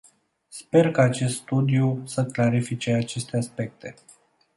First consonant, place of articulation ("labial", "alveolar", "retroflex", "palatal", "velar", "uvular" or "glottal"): alveolar